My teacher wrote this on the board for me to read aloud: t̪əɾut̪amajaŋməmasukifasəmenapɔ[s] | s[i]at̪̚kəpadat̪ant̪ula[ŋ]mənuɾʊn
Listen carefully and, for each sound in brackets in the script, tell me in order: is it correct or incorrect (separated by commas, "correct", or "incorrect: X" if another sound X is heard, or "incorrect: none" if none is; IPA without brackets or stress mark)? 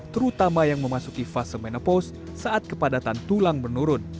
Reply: correct, incorrect: a, correct